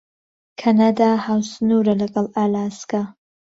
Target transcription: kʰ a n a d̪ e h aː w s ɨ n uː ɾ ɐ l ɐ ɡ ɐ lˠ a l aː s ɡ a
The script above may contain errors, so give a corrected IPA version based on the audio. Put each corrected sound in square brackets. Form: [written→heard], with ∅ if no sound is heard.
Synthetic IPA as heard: kʰ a n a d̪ [e→a] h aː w s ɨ n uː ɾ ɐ l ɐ ɡ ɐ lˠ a l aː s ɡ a